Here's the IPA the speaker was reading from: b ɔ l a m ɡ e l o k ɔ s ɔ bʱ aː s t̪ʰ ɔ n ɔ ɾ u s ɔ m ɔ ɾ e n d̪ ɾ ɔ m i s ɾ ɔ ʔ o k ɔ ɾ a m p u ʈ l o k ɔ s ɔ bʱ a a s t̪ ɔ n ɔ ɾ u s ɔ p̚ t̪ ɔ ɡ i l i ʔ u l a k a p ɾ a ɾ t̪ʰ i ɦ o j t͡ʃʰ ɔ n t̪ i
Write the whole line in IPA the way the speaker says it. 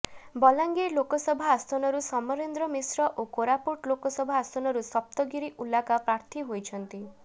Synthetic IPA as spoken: b ɔ l a ŋ ɡ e l o k ɔ s ɔ bʱ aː s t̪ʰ ɔ n ɔ ɾ u s ɔ m ɔ ɾ e n d̪ ɾ ɔ m i s ɾ ɔ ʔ o k o ɾ a p u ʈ l o k ɔ s ɔ bʱ a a s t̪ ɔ n ɔ ɾ u s ɔ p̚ t̪ ɔ ɡ i ɾ i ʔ u l a k a p ɾ a ɾ t̪ʰ i ɦ o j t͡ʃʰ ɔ n t̪ i